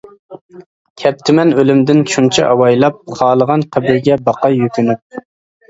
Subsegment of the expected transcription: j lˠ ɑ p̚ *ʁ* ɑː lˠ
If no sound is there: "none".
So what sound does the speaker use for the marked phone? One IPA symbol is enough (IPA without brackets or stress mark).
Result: χ